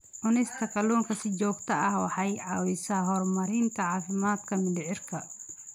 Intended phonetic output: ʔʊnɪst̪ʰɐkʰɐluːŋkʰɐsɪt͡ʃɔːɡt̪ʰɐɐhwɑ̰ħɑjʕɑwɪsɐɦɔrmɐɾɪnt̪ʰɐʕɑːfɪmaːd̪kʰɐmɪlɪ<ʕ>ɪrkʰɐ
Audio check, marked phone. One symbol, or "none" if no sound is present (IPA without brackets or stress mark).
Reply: ʕ